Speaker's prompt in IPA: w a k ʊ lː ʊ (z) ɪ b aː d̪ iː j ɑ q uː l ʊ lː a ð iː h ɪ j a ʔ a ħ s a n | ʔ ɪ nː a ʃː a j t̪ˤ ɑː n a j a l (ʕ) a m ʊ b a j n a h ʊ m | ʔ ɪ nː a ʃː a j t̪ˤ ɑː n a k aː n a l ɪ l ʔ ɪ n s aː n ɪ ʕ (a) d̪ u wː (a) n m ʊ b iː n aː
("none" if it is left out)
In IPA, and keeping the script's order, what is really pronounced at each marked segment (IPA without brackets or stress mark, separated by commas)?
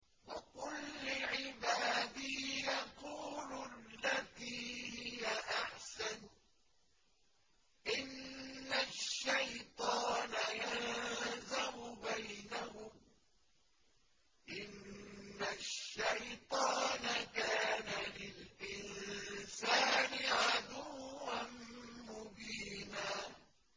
ʕ, z, a, a